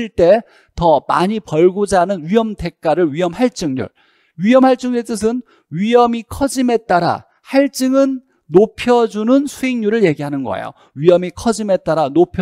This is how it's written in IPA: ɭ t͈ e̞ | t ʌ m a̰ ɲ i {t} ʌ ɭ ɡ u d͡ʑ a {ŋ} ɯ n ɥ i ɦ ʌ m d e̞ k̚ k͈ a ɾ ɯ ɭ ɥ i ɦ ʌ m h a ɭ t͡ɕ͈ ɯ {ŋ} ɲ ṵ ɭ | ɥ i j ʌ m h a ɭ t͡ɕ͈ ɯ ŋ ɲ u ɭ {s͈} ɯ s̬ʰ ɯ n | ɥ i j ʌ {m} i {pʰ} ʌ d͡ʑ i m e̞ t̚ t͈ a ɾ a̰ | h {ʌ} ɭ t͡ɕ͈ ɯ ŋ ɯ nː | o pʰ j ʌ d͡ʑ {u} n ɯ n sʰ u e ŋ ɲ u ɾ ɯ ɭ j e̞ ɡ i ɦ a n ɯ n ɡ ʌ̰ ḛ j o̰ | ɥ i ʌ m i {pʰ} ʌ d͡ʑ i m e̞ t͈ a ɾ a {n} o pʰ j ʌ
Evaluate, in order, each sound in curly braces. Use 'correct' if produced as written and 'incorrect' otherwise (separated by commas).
incorrect, incorrect, correct, incorrect, correct, incorrect, incorrect, correct, incorrect, correct